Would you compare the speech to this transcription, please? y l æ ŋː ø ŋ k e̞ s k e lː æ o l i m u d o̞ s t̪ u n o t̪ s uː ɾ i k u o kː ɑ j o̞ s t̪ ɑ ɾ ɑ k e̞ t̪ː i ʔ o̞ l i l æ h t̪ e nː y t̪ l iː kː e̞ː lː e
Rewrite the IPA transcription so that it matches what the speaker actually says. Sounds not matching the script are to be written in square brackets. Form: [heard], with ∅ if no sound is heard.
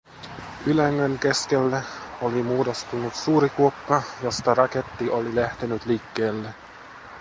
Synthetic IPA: y l æ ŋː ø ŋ k e̞ s k e lː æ o l i m [uː] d o̞ s t̪ u n [u] t̪ s uː ɾ i k u o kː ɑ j o̞ s t̪ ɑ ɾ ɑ k e̞ t̪ː i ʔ o̞ l i l æ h t̪ e [n] y t̪ l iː kː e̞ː lː e